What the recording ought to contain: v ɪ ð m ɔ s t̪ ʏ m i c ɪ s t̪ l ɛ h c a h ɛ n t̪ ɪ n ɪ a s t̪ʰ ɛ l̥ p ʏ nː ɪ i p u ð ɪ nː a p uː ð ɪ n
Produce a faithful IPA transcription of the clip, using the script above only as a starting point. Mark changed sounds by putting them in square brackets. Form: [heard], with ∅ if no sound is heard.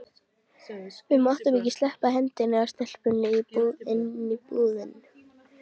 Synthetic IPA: v ɪ ð m ɔ [h] t̪ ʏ m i c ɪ s t̪ l ɛ h [p] a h ɛ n t̪ ɪ n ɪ a s [t̪] ɛ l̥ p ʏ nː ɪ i p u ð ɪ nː [i] p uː ð ɪ n